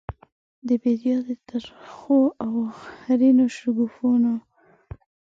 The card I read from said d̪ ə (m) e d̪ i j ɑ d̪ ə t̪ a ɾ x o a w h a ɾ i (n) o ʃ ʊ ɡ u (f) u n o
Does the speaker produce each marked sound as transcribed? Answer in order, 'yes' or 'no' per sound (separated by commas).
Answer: no, yes, yes